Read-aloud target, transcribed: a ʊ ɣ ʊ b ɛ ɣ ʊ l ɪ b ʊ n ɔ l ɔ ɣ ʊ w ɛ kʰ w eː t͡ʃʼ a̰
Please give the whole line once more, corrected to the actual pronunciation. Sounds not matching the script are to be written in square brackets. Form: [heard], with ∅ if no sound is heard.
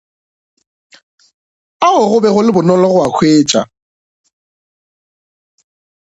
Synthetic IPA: a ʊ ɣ ʊ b ɛ ɣ ʊ l ɪ b ʊ n ɔ l ɔ ɣ ʊ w [a] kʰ w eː t͡ʃʼ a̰